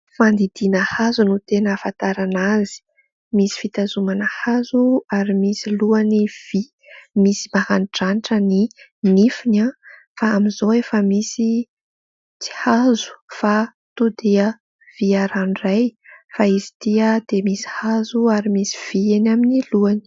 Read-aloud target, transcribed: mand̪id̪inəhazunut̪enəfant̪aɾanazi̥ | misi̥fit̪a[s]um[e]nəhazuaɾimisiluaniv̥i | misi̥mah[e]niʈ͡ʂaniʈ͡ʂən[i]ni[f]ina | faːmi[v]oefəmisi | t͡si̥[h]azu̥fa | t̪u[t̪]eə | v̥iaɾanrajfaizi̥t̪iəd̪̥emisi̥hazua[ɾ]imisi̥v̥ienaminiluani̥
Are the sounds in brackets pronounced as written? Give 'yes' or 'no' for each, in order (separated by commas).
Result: no, no, no, yes, yes, no, yes, no, yes